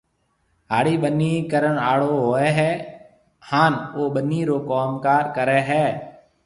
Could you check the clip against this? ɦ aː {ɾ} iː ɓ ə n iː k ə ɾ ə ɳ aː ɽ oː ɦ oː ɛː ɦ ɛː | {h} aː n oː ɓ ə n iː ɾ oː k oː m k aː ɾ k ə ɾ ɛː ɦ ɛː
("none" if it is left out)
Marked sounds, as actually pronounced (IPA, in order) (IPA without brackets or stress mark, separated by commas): ɽ, h